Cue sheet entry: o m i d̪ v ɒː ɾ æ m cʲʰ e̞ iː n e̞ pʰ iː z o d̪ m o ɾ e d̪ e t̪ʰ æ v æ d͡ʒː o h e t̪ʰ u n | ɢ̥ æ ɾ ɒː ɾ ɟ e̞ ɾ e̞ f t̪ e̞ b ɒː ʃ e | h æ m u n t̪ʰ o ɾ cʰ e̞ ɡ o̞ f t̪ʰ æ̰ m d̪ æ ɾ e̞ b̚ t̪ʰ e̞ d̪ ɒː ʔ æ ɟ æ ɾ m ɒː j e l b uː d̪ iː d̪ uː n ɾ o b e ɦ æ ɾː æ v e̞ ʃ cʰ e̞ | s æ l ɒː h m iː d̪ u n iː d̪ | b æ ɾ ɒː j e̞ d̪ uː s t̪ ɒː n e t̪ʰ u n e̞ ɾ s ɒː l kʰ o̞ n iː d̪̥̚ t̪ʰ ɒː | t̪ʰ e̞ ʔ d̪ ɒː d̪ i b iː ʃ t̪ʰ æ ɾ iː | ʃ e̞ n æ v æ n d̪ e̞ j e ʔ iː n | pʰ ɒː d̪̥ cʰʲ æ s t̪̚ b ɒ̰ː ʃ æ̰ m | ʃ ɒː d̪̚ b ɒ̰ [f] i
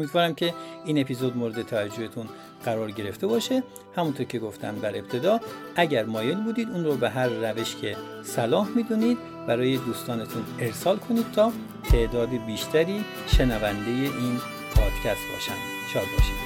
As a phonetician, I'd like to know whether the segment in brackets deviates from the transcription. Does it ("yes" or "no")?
yes